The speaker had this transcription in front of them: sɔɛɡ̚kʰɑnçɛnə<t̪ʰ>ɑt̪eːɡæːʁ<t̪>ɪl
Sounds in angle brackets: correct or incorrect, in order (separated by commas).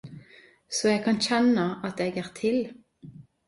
incorrect, incorrect